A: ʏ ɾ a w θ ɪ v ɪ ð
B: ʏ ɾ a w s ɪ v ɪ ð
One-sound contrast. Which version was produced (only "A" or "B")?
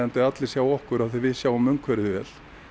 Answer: A